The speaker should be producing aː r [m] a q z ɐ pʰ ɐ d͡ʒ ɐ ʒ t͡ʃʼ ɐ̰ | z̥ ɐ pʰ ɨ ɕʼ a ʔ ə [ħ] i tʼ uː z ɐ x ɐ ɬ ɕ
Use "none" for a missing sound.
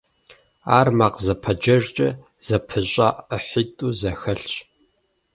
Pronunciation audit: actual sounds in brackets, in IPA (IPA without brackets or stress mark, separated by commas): m, ħ